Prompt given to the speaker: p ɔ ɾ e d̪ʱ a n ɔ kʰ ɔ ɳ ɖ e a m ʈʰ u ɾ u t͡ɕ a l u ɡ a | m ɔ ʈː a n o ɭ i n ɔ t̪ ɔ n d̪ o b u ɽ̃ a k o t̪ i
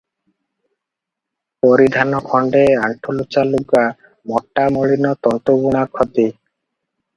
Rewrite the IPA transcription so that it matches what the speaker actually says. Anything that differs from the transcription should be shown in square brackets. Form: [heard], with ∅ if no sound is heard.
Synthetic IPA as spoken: p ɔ ɾ [i] d̪ʱ a n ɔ kʰ ɔ ɳ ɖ e a [ɳ] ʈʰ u [l] u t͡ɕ a l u ɡ a | m ɔ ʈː a [m] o ɭ i n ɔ t̪ ɔ n [t̪] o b u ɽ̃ a [kʰ] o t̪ i